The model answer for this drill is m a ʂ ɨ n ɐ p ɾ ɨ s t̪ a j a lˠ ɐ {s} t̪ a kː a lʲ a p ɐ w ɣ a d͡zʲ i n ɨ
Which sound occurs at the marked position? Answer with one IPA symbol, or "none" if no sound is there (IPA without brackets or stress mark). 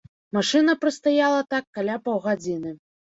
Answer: none